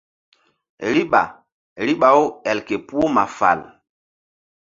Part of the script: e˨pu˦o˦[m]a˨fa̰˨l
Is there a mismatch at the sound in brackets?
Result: no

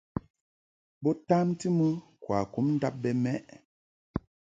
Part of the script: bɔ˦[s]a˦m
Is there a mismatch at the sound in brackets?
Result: yes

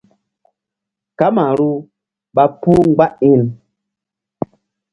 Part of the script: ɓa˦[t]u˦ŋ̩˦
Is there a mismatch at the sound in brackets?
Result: yes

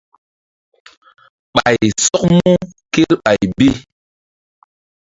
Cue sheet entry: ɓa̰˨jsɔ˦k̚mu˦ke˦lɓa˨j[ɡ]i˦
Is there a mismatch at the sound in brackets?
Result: yes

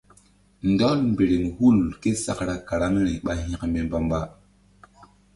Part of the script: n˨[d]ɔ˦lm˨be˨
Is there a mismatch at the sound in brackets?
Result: no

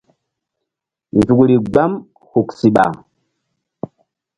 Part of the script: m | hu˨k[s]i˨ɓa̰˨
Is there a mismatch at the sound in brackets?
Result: no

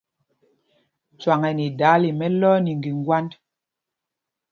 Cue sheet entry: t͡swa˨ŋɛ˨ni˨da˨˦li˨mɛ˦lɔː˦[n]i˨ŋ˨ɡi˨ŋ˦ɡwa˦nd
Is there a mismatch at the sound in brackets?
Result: no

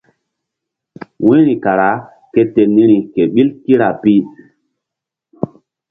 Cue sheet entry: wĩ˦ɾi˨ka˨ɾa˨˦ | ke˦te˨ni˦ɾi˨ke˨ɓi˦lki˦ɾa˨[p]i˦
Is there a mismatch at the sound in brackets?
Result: no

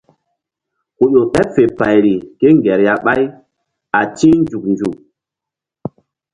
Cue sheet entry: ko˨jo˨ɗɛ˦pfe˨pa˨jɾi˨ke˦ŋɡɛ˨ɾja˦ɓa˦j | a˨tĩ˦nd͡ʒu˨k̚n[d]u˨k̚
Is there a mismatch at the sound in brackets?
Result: yes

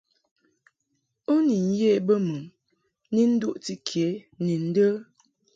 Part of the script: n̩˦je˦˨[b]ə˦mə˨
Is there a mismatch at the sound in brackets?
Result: no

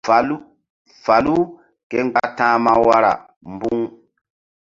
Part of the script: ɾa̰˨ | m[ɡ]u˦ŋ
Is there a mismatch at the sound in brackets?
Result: yes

